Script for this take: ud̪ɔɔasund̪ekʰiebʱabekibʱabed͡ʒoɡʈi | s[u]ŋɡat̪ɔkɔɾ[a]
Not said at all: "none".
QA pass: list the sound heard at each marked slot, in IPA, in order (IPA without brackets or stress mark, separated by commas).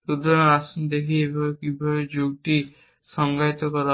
ɔ, a